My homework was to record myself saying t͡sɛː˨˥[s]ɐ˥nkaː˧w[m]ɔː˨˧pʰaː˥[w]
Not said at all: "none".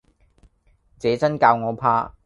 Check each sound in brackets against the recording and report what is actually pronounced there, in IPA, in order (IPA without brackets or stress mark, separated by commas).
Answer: t͡s, ŋ, none